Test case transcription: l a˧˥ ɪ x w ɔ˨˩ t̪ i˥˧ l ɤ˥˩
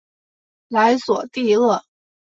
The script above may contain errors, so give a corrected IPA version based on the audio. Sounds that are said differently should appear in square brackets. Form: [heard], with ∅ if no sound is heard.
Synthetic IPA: l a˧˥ ɪ [s] w ɔ˨˩ t̪ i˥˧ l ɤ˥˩